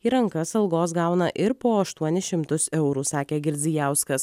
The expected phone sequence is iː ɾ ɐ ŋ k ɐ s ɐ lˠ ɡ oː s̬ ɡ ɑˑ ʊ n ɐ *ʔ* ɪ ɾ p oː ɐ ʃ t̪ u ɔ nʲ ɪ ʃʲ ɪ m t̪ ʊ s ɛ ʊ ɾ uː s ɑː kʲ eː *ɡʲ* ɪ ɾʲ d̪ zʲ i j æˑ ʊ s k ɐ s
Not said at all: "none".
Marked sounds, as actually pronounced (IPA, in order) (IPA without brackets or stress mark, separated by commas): ʔ, ɡʲ